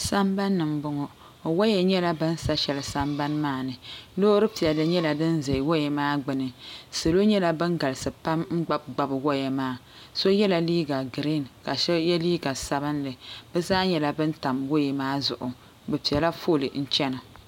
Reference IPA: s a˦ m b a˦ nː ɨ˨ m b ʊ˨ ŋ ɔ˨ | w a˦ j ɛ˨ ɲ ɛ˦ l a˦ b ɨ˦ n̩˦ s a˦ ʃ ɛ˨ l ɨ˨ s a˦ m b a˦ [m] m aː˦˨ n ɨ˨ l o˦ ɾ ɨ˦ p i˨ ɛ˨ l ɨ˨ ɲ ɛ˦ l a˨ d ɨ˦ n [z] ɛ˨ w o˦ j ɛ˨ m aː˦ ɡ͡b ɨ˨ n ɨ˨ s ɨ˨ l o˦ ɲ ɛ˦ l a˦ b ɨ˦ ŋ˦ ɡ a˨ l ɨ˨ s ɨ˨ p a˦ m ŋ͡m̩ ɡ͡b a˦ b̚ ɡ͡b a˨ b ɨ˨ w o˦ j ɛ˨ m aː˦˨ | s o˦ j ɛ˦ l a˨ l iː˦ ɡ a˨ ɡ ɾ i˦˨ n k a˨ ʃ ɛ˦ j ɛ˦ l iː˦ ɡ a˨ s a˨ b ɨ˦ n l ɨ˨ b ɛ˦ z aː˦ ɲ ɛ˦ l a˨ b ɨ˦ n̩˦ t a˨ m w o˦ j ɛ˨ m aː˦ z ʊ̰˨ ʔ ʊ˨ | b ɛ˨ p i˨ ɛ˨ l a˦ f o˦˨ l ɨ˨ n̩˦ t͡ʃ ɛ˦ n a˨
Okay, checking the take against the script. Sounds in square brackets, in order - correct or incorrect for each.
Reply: incorrect: n, correct

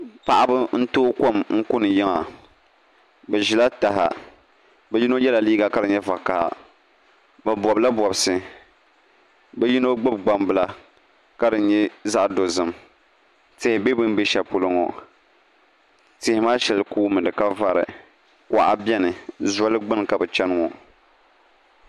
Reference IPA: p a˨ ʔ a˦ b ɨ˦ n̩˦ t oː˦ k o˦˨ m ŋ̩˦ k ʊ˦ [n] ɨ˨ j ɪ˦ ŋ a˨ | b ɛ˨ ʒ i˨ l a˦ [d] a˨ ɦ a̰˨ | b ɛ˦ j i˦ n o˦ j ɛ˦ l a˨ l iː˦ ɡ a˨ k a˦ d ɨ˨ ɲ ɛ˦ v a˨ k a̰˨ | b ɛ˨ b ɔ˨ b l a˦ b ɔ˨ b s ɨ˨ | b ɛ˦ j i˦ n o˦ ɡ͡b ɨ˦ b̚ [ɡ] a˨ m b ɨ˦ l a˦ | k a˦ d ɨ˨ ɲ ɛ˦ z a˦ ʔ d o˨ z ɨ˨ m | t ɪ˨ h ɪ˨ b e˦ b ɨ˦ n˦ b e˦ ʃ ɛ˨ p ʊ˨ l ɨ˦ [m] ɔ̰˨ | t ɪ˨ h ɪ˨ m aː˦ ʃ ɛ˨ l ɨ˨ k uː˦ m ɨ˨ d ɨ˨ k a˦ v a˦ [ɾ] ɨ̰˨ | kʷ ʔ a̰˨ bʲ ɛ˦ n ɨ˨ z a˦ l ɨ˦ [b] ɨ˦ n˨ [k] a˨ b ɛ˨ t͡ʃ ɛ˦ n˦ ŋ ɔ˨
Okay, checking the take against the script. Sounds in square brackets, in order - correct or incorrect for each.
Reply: correct, incorrect: t, incorrect: ɡ͡b, incorrect: ŋ, correct, incorrect: ɡ͡b, correct

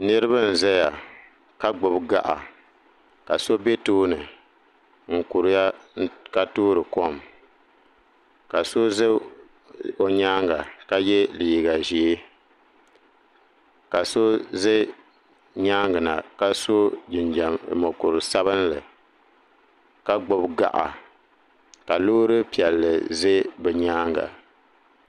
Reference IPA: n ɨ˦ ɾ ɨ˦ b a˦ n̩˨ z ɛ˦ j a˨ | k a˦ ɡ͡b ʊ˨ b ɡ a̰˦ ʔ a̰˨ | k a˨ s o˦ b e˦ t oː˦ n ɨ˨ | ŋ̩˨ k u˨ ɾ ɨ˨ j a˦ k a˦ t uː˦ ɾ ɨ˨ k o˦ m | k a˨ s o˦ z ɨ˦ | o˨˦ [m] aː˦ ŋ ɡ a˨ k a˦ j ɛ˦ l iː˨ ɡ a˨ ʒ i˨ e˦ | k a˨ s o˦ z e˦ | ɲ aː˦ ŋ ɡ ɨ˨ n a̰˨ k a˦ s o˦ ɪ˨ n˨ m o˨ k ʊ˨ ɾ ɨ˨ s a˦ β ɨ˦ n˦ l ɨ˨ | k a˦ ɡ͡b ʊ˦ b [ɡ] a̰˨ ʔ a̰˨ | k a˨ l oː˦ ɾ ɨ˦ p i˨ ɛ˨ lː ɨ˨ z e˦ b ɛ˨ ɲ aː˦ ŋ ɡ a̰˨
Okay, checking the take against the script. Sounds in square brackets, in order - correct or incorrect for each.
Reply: incorrect: ɲ, correct

